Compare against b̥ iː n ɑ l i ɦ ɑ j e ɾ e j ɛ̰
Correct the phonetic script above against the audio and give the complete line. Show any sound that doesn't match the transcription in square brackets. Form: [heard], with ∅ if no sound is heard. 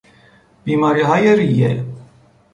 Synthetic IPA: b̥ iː [m] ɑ [ɾ] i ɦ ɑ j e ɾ [i] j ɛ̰